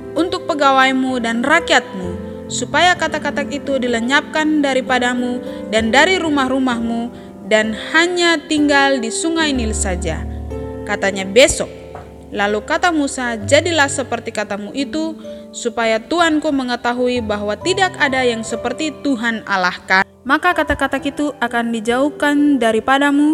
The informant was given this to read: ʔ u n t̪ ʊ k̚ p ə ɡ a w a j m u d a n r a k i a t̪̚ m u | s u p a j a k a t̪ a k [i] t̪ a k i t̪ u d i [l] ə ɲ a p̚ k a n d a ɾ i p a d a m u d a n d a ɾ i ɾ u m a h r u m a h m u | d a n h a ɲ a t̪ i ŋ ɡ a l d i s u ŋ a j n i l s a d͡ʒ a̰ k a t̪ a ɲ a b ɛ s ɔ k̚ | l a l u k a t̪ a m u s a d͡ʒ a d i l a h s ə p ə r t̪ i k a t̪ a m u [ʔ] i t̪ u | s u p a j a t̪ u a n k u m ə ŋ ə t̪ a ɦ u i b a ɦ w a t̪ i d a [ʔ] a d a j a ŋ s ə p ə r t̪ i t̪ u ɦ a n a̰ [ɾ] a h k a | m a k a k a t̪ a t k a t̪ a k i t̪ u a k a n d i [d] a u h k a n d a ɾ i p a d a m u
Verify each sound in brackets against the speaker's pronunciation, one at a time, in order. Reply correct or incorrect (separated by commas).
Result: incorrect, correct, correct, incorrect, incorrect, incorrect